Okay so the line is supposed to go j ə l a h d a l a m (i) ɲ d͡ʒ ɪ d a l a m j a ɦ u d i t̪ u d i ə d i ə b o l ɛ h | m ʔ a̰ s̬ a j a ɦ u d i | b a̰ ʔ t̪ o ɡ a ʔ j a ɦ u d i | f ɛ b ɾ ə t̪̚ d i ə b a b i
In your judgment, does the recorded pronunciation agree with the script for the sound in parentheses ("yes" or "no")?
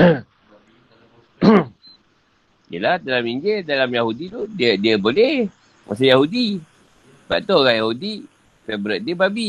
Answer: yes